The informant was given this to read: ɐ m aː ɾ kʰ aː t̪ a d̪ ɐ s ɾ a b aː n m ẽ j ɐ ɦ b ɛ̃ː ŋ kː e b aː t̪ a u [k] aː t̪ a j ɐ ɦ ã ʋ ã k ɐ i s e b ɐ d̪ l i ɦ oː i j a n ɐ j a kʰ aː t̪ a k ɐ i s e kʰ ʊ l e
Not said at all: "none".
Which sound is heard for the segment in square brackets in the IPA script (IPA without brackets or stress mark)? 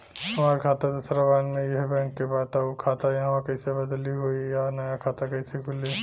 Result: kʰ